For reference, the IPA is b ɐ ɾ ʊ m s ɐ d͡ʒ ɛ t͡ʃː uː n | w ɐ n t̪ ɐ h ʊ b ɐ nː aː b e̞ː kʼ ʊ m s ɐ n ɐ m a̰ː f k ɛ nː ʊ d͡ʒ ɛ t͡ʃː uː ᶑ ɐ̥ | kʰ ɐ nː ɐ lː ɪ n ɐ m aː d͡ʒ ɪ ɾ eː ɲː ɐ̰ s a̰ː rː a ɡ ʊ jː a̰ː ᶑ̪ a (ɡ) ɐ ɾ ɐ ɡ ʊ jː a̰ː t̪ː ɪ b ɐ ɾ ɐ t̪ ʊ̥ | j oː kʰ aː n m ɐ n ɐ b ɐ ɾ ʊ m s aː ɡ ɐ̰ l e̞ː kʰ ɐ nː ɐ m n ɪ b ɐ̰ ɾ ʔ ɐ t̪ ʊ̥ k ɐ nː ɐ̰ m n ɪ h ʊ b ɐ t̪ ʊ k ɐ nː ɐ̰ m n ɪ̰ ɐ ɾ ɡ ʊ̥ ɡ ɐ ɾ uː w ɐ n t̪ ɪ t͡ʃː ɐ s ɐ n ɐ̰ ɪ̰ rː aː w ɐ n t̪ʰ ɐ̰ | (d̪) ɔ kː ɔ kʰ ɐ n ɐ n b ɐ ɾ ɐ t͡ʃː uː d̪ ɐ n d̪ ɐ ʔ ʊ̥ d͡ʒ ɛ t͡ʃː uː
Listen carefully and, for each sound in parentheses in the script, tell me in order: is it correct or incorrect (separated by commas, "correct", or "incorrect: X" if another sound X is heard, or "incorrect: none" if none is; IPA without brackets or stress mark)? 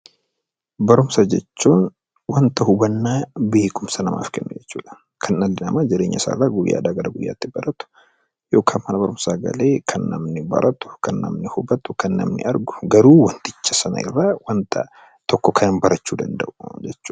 correct, incorrect: t̪